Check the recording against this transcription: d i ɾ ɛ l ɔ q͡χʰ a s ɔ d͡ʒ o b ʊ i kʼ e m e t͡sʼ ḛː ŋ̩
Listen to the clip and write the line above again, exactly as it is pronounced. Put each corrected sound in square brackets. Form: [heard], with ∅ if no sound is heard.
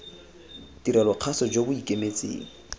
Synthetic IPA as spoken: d i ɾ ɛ l ɔ q͡χʰ a s ɔ d͡ʒ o b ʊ i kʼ e m e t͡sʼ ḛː ŋ̩